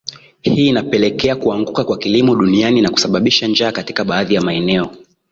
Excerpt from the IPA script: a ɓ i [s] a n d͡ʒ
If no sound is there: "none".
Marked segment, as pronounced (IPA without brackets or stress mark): ʃ